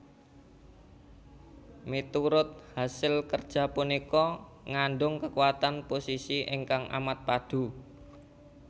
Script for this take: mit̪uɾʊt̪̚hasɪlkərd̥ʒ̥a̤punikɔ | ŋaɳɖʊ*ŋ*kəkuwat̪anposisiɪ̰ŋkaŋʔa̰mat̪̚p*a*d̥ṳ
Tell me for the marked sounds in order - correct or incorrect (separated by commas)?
correct, correct